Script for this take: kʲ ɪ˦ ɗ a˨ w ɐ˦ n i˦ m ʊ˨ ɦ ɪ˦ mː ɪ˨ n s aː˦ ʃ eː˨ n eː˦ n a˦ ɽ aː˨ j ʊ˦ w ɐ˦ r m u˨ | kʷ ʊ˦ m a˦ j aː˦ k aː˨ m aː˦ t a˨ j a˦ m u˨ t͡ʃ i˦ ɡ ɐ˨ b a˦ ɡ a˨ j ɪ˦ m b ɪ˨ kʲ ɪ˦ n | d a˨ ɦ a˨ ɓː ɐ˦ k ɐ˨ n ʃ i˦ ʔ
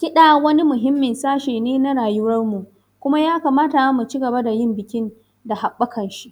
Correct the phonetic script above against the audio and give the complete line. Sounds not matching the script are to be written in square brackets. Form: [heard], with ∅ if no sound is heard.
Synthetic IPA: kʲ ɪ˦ ɗ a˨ w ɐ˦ n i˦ m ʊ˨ ɦ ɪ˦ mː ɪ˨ n s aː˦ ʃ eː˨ n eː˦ n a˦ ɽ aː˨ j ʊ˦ w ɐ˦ r m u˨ | kʷ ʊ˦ m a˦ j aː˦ k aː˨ m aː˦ t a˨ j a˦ m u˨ t͡ʃ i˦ ɡ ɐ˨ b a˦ [d] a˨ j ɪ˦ m b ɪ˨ kʲ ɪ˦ n | d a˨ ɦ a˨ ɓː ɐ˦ k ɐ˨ n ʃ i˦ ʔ